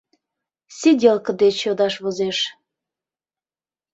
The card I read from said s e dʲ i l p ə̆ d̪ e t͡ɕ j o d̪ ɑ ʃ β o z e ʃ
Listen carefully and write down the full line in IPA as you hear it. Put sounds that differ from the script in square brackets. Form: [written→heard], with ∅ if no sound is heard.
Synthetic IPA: s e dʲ [i→e] l [p→k] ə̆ d̪ e t͡ɕ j o d̪ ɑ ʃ β o z e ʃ